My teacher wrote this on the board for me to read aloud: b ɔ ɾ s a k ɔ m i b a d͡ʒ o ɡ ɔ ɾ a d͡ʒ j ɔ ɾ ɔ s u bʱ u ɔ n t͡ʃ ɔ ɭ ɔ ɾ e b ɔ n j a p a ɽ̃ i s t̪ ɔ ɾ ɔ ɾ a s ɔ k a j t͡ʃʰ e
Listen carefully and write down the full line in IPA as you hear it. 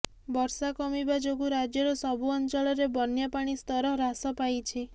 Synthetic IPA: b ɔ ɾ s a k ɔ m i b a d͡ʒ o ɡ u ɾ a d͡ʒ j ɔ ɾ ɔ s ɔ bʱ u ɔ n t͡ʃ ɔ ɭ ɔ ɾ e b ɔ n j a p a ɽ̃ i s t̪ ɔ ɾ ɔ ɾ a s ɔ p a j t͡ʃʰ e